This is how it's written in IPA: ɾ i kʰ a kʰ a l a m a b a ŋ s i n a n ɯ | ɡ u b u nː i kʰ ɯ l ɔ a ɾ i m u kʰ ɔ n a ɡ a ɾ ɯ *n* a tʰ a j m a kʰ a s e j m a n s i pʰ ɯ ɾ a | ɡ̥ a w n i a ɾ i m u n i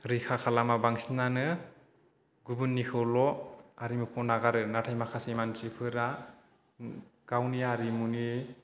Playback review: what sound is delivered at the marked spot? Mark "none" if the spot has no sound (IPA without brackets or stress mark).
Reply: n